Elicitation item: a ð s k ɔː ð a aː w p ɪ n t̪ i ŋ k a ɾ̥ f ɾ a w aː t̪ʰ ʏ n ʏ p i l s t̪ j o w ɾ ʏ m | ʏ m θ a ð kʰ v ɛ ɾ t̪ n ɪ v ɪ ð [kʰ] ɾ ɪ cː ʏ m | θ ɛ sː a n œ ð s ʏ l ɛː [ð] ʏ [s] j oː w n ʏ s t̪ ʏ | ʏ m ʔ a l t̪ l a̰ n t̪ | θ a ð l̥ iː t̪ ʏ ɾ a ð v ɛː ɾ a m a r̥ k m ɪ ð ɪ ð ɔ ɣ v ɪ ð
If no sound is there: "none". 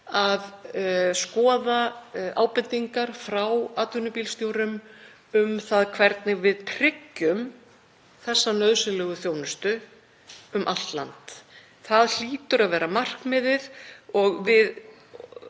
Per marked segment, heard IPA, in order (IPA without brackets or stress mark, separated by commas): pʰ, ɣ, θ